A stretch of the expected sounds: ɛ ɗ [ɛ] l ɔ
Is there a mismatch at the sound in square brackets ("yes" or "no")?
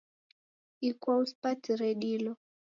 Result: yes